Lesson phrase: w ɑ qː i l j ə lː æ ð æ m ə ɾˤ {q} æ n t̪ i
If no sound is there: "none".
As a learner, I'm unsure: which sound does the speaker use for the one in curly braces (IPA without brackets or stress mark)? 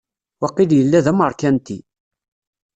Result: k